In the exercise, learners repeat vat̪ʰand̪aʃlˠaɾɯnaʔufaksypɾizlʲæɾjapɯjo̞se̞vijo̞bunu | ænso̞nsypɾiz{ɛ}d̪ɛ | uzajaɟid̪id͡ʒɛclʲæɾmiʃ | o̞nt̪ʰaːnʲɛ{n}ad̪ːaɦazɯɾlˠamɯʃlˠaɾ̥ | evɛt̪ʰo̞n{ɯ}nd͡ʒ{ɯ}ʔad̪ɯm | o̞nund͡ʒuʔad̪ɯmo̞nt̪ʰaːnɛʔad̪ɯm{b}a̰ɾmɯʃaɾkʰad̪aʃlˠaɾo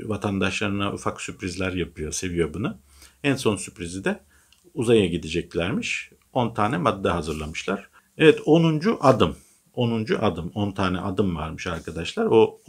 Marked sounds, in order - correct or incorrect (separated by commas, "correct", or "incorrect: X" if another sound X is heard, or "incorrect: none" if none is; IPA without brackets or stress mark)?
incorrect: i, incorrect: m, incorrect: u, incorrect: u, incorrect: v